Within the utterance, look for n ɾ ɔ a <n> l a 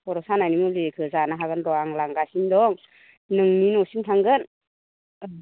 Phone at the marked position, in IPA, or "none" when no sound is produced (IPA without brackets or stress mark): ŋ